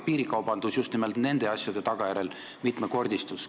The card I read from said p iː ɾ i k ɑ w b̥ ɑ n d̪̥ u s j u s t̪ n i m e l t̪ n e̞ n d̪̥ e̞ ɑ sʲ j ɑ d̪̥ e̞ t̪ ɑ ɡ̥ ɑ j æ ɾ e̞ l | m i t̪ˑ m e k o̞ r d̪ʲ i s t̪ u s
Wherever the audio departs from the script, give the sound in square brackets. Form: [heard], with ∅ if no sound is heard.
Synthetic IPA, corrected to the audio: p iː ɾ i k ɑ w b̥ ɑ n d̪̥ u s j u s t̪ n i m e l t̪ n e̞ n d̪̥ e̞ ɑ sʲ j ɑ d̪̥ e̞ t̪ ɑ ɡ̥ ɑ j æ ɾ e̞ l | m i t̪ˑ m e k o̞ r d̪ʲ i s t̪ u s